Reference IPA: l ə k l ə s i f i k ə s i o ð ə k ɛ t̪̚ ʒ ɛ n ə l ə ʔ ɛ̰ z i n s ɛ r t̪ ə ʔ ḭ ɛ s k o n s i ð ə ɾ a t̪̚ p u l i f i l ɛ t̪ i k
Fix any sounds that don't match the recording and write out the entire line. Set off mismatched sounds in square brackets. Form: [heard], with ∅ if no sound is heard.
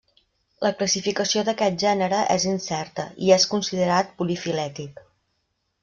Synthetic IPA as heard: l ə k l ə s i f i k ə s i o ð ə k ɛ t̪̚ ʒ ɛ n ə [ɾ] ə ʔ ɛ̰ z i n s ɛ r t̪ ə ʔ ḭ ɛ s k [u] n s i ð ə ɾ a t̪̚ p u l i f i l ɛ t̪ i k

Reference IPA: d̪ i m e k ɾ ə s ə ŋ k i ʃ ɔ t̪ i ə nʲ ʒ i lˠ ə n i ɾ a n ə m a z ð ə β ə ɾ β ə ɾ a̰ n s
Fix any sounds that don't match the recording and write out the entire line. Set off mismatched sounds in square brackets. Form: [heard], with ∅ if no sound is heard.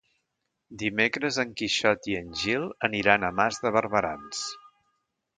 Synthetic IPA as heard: d̪ i m e k ɾ ə [z] ə ŋ k i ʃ ɔ t̪ i ə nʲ ʒ i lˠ ə n i ɾ a n ə m a z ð ə β ə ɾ β ə ɾ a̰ n s

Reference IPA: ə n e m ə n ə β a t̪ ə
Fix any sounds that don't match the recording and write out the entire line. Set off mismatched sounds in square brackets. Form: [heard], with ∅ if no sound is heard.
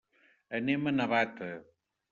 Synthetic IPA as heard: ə n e m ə n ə β a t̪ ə

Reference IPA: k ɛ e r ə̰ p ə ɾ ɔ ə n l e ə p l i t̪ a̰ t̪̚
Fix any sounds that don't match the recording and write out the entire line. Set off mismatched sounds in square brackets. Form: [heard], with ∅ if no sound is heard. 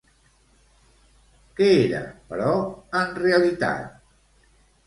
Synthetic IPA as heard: k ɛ e [ɾ] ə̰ p ə ɾ ɔ ə n [r] e ə [∅] l i t̪ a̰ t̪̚

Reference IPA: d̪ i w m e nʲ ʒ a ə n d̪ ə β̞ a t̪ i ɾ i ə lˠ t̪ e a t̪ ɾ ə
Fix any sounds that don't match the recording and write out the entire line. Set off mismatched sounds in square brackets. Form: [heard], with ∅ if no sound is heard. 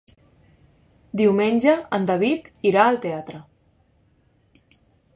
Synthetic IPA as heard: d̪ i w m e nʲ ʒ [ə] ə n d̪ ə β̞ [i] t̪ i ɾ [a] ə lˠ t̪ e a t̪ ɾ ə

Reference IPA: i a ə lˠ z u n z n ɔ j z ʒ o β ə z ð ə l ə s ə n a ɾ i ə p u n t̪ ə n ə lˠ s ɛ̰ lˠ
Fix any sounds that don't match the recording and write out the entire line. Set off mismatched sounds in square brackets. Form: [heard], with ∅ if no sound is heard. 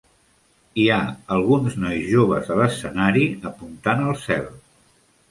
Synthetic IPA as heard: i a ə lˠ [ɣ] u n z n ɔ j z ʒ o β ə z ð ə l ə s ə n a ɾ i ə p u n t̪ [a] n ə lˠ s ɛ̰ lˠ

